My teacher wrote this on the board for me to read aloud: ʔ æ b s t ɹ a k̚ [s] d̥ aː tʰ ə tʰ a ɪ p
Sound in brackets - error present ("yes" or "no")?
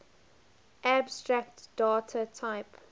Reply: yes